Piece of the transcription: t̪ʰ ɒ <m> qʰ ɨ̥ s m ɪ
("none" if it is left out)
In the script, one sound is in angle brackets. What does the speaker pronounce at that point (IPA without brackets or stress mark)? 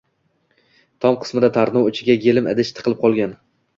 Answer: m